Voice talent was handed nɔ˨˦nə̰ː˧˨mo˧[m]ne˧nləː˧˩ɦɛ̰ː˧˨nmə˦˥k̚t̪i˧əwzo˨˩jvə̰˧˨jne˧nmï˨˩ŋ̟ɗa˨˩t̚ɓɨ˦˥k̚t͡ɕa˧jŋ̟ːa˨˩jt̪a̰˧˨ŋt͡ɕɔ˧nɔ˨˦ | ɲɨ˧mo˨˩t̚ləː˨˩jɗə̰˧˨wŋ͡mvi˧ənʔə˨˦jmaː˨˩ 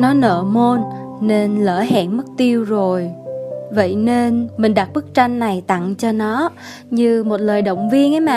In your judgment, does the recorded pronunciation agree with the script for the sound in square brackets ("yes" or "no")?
no